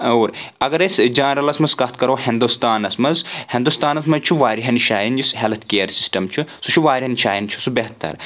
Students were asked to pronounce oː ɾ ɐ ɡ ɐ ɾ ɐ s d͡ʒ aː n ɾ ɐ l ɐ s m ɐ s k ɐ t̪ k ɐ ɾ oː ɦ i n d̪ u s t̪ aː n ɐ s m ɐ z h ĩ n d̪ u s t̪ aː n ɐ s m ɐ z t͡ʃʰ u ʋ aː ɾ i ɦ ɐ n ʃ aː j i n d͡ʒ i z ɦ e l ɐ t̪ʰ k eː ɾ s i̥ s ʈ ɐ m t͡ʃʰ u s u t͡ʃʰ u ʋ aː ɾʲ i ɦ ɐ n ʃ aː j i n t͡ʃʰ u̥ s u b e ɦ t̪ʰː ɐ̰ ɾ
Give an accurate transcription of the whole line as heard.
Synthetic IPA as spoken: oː ɾ ɐ ɡ ɐ ɾ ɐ s d͡ʒ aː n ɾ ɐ l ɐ s m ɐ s k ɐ t̪ k ɐ ɾ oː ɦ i n d̪ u s t̪ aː n ɐ s m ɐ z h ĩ n d̪ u s t̪ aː n ɐ s m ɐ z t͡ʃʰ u ʋ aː ɾ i ɦ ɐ n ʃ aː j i n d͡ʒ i s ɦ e l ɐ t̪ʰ k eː ɾ s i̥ s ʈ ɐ m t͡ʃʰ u s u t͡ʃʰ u ʋ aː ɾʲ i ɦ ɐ n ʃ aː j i n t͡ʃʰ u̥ s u b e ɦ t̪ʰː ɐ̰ ɾ